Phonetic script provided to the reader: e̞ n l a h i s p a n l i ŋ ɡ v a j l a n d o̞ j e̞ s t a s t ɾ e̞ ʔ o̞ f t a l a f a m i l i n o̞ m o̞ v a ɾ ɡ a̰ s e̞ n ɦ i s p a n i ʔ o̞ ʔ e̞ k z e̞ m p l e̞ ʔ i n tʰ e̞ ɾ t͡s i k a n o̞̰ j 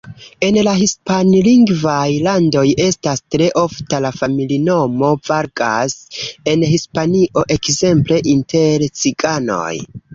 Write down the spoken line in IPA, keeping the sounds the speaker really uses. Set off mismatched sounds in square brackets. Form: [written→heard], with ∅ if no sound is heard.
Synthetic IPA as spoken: e̞ n l a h i s p a n l i ŋ ɡ v a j l a n d o̞ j e̞ s t a s t ɾ e̞ ʔ o̞ f t a l a f a m i l i n o̞ m o̞ v a ɾ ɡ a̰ s e̞ n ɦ i s p a n i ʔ o̞ ʔ e̞ k z e̞ m p l e̞ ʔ i n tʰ e̞ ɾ t͡s i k a n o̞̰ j

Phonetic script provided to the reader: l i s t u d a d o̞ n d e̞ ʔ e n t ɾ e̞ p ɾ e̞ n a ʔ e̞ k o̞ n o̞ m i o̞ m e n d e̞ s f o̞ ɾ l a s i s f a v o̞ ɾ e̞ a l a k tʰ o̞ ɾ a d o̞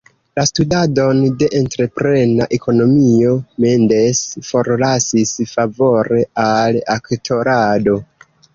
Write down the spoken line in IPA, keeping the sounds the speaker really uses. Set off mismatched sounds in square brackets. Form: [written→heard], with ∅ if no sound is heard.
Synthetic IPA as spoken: l [i→a] s t u d a d o̞ n d e̞ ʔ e n t ɾ e̞ p ɾ e̞ n a ʔ e̞ k o̞ n o̞ m i o̞ m e n d e̞ s f o̞ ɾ l a s i s f a v o̞ ɾ e̞ a l a k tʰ o̞ ɾ a d o̞

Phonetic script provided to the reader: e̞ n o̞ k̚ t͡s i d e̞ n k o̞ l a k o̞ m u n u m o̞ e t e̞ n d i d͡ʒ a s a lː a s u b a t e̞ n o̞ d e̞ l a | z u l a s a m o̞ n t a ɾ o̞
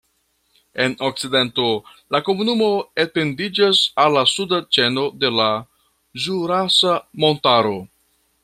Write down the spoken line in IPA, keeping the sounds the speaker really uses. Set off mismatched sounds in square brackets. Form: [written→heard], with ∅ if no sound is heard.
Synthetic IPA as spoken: e̞ n o̞ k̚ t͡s i d e̞ n [k→t] o̞ l a k o̞ m u n u m o̞ e t e̞ n d i d͡ʒ a s a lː a s u [b→d] a [t→t͡ʃ] e̞ n o̞ d e̞ l a | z u [l→ɾ] a s a m o̞ n t a ɾ o̞

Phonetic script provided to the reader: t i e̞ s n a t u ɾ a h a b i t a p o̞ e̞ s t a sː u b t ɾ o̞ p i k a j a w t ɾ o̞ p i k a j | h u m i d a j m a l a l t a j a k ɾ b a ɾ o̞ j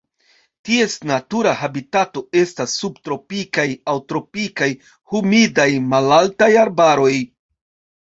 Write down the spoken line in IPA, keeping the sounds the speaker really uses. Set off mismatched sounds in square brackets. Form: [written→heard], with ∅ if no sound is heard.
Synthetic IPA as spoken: t i e̞ s n a t u ɾ a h a b i t a [p→t] o̞ e̞ s t a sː u b t ɾ o̞ p i k a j a w t ɾ o̞ p i k a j | h u m i d a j m a l a l t a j a [k→∅] ɾ b a ɾ o̞ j

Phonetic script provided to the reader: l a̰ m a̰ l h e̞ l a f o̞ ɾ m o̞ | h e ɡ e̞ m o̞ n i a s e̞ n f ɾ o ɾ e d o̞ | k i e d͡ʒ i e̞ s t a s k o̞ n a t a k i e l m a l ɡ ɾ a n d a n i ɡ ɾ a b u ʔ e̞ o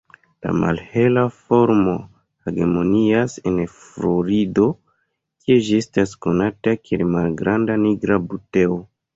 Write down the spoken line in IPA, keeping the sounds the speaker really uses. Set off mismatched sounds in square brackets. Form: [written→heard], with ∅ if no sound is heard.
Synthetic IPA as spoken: l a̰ m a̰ l h e̞ l a f o̞ ɾ m o̞ | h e ɡ e̞ m o̞ n i a s e̞ n f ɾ o ɾ [e→i] d o̞ | k i e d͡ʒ i e̞ s t a s k o̞ n a t a k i e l m a l ɡ ɾ a n d a n i ɡ ɾ a b u [ʔ→t] e̞ o

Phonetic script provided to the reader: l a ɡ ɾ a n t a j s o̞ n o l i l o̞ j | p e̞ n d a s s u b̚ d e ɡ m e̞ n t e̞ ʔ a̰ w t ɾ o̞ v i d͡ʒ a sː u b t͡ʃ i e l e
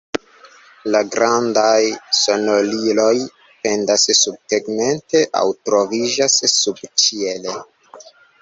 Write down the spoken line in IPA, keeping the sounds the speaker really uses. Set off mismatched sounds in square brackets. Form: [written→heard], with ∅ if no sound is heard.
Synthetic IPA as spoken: l a ɡ ɾ a n [t→d] a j s o̞ n o l i l o̞ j | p e̞ n d a s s u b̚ [d→t] e ɡ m e̞ n t e̞ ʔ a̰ w t ɾ o̞ v i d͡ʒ a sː u b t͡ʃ i e l e

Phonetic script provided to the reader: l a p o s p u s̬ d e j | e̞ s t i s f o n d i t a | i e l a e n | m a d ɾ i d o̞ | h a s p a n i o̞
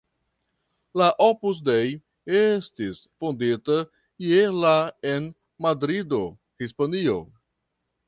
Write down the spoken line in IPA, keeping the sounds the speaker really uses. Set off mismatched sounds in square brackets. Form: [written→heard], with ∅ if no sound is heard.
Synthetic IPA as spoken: l a [p→ʔ] o [s→∅] p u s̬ d e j | e̞ s t i s f o n d i t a | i e l a e n | m a d ɾ i d o̞ | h [a→i] s p a n i o̞

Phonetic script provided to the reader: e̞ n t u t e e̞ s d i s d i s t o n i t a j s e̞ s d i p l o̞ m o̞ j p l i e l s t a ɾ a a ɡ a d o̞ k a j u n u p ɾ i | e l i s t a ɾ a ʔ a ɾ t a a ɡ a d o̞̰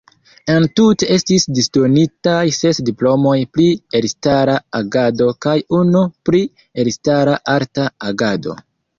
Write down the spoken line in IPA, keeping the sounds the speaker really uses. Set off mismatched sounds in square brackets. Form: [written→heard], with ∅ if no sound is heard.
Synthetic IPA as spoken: e̞ n t u t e e̞ s [d→t] i s d i s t o n i t a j s e̞ s d i p l o̞ m o̞ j p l i e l s t a ɾ a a ɡ a d o̞ k a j u n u p ɾ i | e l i s t a ɾ a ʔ a ɾ t a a ɡ a d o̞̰

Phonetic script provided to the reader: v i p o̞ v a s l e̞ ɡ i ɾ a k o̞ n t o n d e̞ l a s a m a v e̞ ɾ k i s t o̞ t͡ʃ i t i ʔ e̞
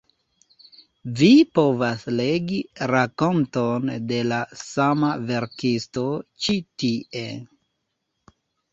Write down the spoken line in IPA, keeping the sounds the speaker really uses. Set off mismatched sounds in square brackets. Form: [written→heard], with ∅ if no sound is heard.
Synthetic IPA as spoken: v i p o̞ v a s l e̞ ɡ i ɾ a k o̞ n t o n d e̞ l a s a m a v e̞ ɾ k i s t o̞ t͡ʃ i t i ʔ e̞

